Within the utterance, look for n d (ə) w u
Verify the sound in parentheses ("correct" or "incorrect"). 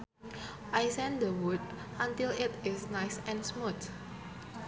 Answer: correct